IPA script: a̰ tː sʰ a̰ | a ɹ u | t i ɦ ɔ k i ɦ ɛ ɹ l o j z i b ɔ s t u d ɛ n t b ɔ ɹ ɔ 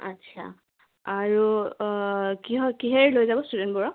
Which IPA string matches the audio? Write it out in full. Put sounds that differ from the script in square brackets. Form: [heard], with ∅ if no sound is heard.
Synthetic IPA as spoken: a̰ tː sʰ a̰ | a ɹ u | [k] i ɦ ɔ k i ɦ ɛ ɹ l o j z [a] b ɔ s t u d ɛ n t b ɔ ɹ ɔ